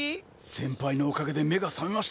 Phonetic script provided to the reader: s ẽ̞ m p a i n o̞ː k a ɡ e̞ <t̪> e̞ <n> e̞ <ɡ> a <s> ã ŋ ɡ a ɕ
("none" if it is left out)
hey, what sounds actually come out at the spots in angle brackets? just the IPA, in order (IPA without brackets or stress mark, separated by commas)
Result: d̪, m, ɡ, s